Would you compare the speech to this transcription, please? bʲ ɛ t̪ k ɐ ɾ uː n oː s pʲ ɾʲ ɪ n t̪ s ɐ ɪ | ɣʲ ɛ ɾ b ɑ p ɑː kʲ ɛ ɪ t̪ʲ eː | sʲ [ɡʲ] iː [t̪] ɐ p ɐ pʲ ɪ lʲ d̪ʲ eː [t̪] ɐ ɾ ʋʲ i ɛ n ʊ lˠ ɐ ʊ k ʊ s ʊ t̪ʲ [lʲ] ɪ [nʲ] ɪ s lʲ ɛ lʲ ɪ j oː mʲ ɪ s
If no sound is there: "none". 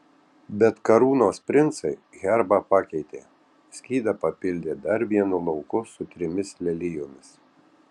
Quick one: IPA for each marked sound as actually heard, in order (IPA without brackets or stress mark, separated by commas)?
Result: kʲ, d̪, d̪, ɾʲ, mʲ